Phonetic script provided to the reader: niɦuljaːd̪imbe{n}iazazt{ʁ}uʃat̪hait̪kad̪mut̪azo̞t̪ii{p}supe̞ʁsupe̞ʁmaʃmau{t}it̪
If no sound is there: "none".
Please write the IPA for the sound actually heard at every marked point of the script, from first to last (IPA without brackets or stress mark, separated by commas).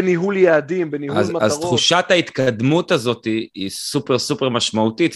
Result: n, χ, none, t